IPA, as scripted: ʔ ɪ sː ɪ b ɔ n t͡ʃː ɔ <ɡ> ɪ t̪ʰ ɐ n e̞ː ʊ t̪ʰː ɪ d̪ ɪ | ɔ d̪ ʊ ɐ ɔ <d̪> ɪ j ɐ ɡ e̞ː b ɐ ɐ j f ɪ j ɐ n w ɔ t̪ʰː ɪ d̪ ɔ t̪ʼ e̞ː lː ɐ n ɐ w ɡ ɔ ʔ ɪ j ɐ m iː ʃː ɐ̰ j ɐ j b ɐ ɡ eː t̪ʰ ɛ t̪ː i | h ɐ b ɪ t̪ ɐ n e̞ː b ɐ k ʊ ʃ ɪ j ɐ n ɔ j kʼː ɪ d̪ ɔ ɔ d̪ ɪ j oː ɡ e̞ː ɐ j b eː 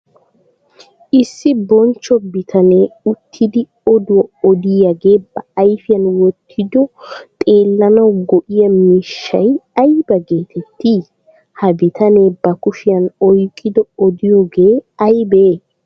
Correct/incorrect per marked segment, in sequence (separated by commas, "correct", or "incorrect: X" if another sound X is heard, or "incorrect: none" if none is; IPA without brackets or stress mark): incorrect: b, correct